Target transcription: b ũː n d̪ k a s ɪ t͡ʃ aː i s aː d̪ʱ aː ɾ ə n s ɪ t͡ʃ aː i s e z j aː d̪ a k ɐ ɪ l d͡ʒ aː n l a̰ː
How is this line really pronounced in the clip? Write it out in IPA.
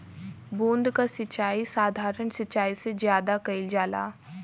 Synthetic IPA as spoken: b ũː n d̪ k a s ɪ t͡ʃ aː i s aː d̪ʱ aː ɾ ə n s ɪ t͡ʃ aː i s e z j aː d̪ a k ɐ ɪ l d͡ʒ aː l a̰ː